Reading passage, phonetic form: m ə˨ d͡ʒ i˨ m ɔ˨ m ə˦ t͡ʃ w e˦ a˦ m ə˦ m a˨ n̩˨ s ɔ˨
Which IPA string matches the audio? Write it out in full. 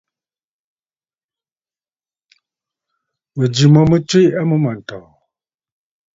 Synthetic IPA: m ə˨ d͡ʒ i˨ m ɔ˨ m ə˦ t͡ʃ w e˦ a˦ m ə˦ m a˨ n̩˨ t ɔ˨